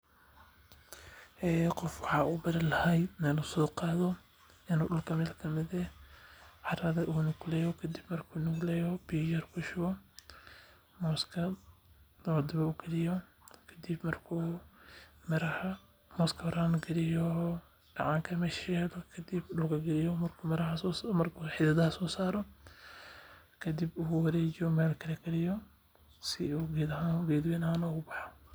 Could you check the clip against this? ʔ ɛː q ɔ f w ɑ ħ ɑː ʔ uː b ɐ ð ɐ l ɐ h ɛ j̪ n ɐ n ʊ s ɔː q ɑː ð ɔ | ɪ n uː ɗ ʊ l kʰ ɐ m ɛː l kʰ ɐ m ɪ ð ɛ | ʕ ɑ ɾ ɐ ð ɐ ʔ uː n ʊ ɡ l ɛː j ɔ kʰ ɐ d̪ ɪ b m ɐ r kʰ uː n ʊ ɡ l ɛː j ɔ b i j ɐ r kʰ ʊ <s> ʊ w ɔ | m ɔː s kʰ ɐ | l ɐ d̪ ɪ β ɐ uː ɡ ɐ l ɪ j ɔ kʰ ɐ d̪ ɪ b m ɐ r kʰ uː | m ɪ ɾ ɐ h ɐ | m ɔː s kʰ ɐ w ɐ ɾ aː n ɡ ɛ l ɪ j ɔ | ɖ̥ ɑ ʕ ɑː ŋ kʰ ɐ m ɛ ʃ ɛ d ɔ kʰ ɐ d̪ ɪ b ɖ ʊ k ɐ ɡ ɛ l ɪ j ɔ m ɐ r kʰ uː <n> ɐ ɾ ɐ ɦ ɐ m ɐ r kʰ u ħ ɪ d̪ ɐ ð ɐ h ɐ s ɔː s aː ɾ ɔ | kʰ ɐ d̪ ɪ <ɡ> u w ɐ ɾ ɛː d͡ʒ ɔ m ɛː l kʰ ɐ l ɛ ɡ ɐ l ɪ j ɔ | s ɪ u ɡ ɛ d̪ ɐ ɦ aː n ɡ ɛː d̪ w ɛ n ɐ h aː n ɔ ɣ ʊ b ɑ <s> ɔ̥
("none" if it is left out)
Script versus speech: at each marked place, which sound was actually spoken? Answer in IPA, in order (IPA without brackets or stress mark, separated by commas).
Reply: ʃ, m, b, ħ